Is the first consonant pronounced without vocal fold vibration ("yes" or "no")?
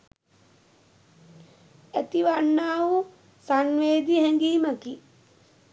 yes